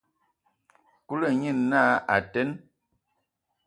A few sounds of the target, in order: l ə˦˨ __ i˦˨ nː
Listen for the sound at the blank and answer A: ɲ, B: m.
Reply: A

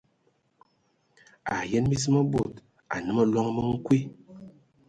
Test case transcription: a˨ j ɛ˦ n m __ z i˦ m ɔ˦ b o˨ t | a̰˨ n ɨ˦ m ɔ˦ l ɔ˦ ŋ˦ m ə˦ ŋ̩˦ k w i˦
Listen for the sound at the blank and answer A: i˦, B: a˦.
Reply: A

